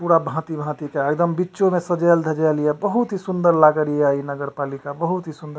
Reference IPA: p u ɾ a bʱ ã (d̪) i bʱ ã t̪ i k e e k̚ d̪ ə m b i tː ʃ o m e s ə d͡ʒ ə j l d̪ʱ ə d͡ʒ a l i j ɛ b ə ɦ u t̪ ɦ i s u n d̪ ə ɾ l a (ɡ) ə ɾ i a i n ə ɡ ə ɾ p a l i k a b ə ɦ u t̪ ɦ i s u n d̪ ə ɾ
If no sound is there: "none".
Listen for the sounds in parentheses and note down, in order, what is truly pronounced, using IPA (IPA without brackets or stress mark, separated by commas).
t̪, ɡ